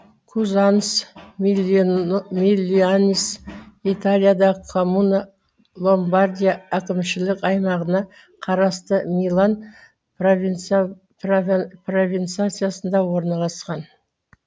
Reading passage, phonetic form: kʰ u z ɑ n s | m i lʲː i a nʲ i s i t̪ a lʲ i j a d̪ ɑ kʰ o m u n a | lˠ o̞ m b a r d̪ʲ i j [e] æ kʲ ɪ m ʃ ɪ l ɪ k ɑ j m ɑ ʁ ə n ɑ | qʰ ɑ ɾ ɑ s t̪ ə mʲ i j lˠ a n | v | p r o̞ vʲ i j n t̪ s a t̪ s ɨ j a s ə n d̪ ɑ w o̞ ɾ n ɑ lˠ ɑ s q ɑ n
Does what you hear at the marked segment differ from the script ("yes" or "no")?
yes